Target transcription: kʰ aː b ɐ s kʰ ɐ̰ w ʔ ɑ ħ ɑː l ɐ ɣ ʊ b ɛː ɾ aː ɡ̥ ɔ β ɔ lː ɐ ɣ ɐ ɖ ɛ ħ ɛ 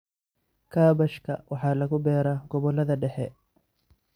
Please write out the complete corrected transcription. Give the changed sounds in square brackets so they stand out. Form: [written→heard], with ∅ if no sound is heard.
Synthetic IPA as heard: kʰ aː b ɐ [s→ʃ] kʰ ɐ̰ w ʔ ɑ ħ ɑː l ɐ ɣ ʊ b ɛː ɾ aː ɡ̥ ɔ β ɔ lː ɐ [ɣ→ð] ɐ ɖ ɛ ħ ɛ